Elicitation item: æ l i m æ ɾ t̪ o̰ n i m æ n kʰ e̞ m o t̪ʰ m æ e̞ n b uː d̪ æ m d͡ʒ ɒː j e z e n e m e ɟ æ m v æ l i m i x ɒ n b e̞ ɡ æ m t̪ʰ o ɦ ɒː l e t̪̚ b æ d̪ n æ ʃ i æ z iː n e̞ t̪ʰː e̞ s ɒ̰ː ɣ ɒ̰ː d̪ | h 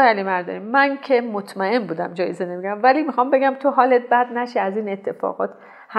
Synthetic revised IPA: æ l i m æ ɾ d̪ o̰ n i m æ n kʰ e̞ m o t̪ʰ m æ e̞ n b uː d̪ æ m d͡ʒ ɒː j e z e n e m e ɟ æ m v æ l i m i x ɒ m b e̞ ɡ æ m t̪ʰ o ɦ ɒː l e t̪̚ b æ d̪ n æ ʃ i æ z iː n e̞ t̪ʰː e̞ f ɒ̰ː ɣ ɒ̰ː t̪ | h